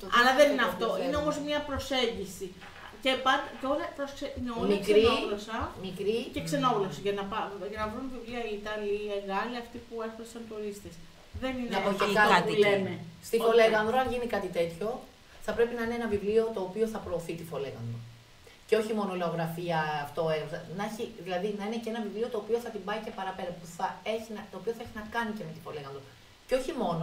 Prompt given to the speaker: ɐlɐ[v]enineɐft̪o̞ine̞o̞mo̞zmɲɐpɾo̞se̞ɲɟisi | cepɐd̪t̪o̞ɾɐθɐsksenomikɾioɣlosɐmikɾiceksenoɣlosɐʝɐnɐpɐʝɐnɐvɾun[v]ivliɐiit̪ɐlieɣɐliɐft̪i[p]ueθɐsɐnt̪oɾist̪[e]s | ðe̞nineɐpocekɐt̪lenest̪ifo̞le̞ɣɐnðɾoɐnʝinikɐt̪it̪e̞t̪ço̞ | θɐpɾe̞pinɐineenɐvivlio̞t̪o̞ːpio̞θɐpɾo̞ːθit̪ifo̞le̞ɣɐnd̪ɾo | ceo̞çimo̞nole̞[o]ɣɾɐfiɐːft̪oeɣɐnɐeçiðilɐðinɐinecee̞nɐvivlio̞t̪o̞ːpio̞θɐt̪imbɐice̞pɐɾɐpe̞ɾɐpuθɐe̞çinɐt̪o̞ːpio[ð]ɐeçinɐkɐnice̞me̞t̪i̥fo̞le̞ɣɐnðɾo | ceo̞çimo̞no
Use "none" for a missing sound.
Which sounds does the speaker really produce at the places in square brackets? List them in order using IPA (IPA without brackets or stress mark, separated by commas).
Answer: ð, v, p, e, o, θ